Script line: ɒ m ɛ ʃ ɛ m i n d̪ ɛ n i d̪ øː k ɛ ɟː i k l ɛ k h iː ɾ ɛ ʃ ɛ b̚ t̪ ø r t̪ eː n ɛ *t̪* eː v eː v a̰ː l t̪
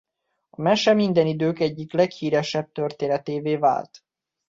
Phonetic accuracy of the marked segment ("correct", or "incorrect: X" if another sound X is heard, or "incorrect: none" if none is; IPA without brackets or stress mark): correct